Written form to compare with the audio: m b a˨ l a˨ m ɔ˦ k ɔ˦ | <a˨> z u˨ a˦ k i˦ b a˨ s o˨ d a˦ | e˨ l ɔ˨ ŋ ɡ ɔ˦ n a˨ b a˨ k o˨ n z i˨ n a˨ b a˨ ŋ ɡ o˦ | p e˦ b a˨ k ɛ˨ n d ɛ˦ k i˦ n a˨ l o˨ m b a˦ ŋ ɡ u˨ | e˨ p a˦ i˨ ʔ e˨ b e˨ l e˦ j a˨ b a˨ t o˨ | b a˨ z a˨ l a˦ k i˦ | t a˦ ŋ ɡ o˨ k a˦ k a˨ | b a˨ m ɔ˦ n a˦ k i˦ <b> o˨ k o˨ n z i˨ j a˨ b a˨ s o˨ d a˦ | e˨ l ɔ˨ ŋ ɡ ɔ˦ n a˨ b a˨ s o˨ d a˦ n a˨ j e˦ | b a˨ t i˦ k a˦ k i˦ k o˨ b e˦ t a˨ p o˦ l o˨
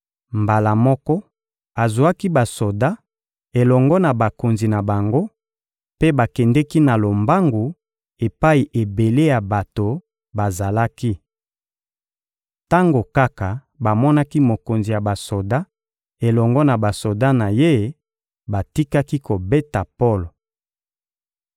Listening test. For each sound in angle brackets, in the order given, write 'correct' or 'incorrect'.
correct, incorrect: m

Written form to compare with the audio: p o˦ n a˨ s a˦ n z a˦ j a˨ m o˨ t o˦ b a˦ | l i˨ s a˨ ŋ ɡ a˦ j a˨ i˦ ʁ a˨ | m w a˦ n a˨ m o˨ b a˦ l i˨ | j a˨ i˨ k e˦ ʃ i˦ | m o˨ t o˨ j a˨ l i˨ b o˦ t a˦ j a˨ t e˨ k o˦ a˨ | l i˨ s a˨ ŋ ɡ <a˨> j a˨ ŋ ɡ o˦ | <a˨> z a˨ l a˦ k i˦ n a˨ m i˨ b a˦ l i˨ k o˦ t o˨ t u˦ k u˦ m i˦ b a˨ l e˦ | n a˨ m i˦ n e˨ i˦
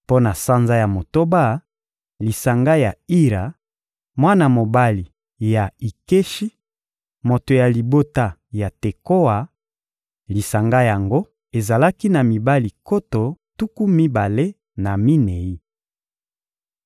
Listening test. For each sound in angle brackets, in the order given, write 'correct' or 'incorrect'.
incorrect: a˦, incorrect: e˨

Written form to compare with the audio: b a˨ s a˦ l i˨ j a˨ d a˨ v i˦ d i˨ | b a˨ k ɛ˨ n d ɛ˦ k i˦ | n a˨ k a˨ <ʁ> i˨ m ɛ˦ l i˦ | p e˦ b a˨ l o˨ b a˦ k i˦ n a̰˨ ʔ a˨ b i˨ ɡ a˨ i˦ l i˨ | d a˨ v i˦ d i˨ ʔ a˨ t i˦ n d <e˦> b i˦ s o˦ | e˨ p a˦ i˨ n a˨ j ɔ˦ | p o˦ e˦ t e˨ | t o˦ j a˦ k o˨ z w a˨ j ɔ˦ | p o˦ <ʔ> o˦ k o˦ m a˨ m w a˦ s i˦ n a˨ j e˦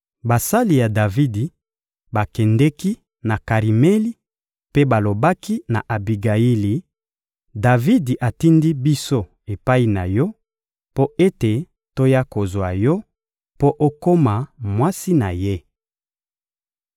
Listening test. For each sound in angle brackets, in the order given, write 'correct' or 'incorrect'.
correct, incorrect: i˦, correct

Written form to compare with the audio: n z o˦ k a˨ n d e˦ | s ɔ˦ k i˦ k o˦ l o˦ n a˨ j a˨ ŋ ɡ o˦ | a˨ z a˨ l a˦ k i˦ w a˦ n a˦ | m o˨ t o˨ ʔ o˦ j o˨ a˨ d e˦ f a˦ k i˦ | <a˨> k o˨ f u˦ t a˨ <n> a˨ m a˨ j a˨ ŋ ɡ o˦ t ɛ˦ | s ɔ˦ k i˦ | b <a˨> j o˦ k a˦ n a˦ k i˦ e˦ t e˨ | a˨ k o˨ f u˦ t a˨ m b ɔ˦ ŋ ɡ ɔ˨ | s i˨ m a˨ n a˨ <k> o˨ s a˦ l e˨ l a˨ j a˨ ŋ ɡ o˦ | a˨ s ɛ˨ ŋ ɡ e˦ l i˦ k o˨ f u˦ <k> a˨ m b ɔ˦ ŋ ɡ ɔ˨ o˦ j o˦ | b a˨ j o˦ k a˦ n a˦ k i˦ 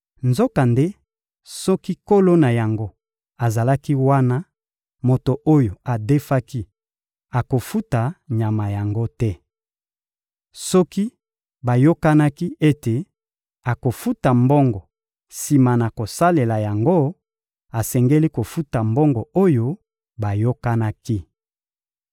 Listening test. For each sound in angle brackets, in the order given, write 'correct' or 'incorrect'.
correct, incorrect: ɲ, correct, correct, incorrect: t

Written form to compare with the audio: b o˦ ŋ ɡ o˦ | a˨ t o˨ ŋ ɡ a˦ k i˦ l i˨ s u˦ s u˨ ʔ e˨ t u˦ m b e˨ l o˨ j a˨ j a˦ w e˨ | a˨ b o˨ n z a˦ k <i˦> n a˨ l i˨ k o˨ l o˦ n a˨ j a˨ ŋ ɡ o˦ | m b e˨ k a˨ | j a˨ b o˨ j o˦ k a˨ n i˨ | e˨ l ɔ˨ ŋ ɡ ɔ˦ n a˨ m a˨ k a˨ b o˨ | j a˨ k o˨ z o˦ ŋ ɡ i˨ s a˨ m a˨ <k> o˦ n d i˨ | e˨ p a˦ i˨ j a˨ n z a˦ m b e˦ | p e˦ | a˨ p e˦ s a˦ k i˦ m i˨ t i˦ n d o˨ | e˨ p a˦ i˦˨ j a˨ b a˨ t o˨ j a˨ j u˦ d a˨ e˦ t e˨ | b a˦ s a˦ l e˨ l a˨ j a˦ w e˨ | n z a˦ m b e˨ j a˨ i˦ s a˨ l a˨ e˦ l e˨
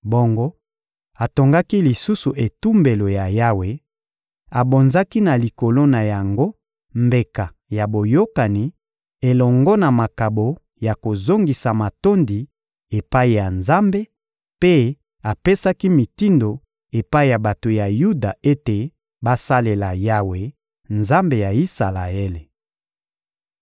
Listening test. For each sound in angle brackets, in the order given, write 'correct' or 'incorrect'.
correct, incorrect: t

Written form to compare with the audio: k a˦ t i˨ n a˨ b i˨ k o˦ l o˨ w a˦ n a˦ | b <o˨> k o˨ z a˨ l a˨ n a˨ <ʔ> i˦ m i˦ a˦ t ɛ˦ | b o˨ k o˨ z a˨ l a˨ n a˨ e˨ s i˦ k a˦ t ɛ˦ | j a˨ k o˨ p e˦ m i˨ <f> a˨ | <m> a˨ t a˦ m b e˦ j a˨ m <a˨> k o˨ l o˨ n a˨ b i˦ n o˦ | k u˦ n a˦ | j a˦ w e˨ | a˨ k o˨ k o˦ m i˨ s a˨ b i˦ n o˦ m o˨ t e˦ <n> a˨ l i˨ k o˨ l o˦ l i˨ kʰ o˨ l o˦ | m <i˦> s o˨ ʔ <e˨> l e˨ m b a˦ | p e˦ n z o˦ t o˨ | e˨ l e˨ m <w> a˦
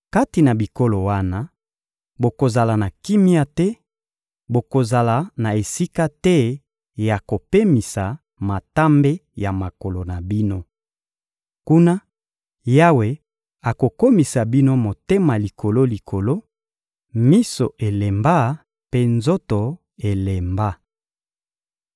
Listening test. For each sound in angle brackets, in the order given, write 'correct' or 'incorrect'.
correct, incorrect: k, incorrect: s, correct, correct, incorrect: m, correct, correct, incorrect: b

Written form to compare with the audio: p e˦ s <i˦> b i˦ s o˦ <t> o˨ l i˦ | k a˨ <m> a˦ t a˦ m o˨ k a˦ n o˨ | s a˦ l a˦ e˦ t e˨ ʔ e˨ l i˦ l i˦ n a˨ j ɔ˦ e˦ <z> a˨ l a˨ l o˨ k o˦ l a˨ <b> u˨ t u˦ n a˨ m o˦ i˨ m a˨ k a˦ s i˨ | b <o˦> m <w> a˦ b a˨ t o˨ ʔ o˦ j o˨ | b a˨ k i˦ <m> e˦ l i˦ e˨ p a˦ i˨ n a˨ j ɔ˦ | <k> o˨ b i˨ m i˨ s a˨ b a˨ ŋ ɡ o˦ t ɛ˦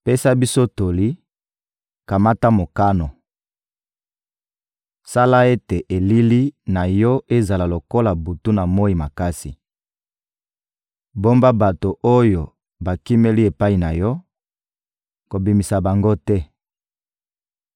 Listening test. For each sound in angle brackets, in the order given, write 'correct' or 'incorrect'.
incorrect: a˦, correct, correct, correct, correct, correct, incorrect: b, correct, correct

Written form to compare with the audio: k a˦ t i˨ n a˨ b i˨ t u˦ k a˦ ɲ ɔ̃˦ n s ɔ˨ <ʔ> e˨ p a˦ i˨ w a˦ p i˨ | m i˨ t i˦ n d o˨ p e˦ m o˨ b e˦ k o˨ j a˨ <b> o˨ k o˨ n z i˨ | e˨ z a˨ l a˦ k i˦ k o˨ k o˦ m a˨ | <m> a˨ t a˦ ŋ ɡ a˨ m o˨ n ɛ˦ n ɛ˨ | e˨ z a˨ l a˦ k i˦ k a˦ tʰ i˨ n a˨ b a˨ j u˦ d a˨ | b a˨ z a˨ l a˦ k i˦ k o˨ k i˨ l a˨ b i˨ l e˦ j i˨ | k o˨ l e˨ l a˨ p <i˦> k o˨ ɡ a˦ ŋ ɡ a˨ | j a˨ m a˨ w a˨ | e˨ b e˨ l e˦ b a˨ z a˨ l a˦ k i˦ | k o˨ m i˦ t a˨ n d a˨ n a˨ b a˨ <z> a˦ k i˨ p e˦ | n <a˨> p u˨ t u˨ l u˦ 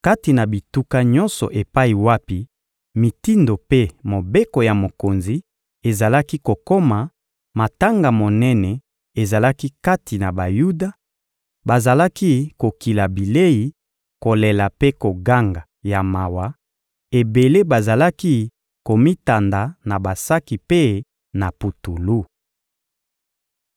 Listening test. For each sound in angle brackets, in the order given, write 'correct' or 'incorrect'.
correct, incorrect: m, correct, incorrect: e˦, incorrect: s, correct

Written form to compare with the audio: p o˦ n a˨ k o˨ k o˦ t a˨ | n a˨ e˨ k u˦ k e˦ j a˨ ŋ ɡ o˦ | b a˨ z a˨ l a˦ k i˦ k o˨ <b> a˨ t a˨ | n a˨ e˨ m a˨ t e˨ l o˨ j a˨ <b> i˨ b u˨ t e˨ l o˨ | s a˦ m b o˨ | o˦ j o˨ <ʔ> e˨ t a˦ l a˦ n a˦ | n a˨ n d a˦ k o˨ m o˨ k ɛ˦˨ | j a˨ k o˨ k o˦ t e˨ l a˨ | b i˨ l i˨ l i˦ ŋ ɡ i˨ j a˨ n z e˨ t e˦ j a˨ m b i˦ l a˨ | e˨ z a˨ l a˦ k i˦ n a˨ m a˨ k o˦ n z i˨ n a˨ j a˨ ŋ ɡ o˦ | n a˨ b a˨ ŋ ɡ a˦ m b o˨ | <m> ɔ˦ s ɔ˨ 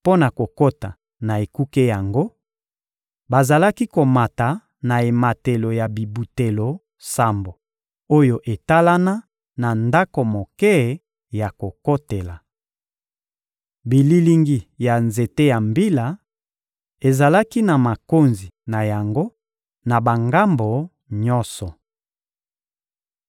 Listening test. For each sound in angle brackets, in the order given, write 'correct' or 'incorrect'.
incorrect: m, correct, correct, incorrect: ɲ

